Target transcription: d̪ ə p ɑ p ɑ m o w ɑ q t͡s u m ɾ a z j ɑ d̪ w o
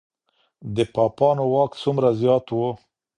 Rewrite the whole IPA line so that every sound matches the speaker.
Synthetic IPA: d̪ ə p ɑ p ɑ n o w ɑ k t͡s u m ɾ a z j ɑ t̪ w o